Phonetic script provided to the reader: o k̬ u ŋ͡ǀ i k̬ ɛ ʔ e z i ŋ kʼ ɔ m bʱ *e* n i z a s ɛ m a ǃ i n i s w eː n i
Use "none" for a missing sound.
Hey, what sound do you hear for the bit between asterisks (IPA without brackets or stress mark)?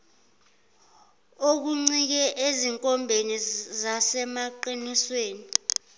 e